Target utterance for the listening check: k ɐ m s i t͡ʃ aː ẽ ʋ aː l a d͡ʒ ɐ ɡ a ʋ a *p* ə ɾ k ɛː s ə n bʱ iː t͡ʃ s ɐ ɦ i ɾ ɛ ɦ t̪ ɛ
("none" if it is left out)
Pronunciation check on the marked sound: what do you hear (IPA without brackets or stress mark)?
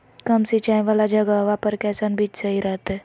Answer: p